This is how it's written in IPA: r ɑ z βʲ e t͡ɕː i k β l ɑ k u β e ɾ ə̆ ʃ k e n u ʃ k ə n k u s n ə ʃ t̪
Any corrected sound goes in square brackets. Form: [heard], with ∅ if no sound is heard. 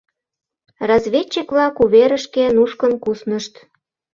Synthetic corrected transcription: r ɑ z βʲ e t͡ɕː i k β l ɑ k u β e ɾ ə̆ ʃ k e n u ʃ k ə n k u s n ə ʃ t̪